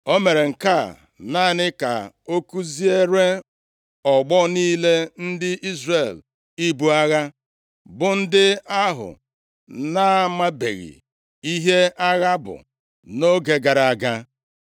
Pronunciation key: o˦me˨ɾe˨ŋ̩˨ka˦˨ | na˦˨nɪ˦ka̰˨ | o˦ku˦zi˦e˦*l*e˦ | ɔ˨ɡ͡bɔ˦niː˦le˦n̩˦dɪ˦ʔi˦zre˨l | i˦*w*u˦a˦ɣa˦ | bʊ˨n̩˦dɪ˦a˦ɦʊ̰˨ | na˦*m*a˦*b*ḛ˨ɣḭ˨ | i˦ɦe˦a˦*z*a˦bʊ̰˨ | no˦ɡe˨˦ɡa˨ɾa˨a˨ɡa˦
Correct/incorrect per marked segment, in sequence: incorrect: ɾ, incorrect: b, correct, correct, incorrect: ɣ

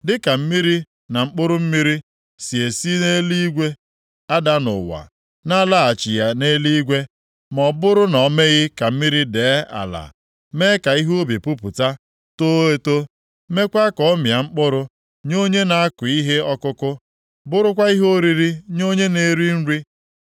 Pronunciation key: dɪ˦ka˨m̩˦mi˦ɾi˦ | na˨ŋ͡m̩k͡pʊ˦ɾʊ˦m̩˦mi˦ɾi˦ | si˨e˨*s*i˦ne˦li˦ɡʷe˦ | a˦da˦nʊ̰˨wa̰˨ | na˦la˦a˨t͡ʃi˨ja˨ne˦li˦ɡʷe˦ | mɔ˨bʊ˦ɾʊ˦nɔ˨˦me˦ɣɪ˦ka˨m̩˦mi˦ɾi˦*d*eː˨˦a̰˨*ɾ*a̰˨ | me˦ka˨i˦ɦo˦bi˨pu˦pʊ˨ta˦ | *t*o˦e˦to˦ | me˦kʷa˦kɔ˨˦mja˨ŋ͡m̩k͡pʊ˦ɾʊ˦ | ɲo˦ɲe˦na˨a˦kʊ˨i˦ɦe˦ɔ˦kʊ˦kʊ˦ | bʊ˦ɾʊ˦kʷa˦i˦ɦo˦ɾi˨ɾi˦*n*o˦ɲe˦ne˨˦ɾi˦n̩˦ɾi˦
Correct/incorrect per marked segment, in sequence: correct, correct, incorrect: l, correct, incorrect: ɲ

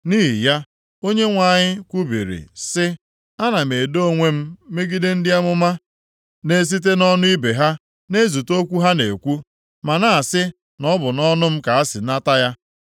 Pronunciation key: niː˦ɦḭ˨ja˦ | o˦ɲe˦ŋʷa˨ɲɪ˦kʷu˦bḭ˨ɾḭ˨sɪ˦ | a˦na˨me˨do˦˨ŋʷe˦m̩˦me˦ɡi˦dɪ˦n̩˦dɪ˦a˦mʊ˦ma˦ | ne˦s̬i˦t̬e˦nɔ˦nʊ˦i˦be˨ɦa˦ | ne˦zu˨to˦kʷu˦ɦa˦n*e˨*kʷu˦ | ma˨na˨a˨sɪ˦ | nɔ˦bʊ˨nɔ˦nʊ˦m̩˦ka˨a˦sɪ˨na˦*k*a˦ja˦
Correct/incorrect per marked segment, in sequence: correct, incorrect: t

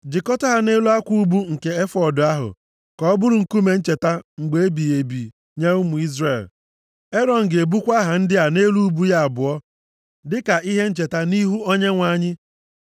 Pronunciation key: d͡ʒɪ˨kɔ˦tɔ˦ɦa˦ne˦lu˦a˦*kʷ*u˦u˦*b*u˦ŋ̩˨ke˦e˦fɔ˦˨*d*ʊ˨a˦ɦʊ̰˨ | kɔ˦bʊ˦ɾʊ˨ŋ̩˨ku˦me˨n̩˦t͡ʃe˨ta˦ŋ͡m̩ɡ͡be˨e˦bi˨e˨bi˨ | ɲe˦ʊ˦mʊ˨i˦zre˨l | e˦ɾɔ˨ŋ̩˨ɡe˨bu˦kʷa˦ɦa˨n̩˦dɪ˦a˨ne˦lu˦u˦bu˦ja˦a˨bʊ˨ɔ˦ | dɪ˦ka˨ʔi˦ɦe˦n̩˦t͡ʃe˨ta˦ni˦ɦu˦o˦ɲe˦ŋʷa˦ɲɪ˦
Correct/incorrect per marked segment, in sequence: correct, correct, correct

